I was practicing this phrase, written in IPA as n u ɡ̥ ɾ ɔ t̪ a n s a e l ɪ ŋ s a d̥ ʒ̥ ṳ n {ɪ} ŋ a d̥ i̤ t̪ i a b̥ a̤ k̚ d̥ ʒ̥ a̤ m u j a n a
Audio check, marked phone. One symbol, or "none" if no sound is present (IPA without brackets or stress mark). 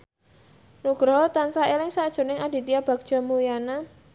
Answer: ɪ